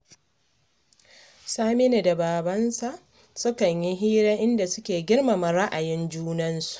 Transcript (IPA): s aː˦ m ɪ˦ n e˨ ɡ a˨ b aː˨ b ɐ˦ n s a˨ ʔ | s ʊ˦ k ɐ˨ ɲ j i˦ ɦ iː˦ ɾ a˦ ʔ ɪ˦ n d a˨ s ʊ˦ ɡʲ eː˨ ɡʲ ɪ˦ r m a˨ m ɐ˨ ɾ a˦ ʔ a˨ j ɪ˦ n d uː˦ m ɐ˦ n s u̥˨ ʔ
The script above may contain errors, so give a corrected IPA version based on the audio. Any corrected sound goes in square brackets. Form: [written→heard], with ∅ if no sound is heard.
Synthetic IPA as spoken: s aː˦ m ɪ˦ n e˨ [ɡ→d] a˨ b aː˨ b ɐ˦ n s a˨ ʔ | s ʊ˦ k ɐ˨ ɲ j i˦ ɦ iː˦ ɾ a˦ ʔ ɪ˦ n d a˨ s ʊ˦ [ɡʲ→kʲ] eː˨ ɡʲ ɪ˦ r m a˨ m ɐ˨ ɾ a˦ ʔ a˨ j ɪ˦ n [d→d͡ʒ] uː˦ [m→n] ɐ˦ n s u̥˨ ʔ